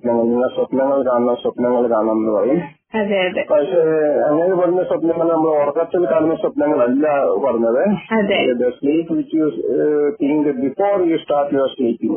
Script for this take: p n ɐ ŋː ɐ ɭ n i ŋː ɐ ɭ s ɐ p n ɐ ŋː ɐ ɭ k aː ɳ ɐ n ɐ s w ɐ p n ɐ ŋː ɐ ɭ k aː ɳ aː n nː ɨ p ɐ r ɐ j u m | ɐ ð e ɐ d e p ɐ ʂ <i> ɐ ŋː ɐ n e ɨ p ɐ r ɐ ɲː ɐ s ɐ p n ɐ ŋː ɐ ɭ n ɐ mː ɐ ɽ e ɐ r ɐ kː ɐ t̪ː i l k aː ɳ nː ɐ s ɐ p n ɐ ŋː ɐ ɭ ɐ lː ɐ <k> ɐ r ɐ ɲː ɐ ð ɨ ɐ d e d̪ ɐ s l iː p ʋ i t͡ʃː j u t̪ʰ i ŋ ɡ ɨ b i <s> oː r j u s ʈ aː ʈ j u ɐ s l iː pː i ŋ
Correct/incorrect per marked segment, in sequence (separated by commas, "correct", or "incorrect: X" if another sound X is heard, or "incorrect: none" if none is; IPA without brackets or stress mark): incorrect: e, incorrect: p, incorrect: f